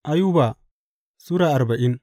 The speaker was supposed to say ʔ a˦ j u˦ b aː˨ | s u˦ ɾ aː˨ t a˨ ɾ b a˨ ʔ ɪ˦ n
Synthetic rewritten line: ʔ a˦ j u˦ b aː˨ | s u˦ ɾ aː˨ ʔ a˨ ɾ b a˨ ʔ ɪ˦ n